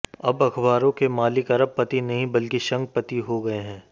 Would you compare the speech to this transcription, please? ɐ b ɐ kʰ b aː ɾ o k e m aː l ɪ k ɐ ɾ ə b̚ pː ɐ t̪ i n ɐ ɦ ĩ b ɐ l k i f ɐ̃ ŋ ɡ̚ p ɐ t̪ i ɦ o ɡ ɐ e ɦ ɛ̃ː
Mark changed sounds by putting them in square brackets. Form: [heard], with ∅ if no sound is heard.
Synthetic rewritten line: ɐ b ɐ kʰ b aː ɾ [õ] k e m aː l ɪ k ɐ ɾ ə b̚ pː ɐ t̪ i n ɐ ɦ ĩ b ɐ l k i [ʃ] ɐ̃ ŋ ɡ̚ p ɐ t̪ i ɦ o ɡ ɐ e ɦ ɛ̃ː